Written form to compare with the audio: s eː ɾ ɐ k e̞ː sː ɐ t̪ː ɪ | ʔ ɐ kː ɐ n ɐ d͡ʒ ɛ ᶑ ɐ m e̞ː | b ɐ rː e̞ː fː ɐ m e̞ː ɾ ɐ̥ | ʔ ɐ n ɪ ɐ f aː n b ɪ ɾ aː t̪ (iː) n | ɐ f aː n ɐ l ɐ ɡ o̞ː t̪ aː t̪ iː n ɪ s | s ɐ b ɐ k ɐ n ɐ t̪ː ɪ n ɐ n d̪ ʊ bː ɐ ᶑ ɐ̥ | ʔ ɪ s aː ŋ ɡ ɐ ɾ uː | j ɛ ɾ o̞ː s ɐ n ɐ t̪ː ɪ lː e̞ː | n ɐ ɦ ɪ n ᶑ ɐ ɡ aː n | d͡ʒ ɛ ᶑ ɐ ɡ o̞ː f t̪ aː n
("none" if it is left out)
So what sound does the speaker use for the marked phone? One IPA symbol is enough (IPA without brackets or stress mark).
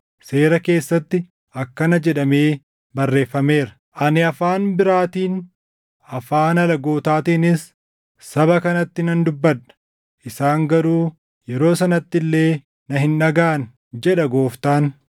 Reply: iː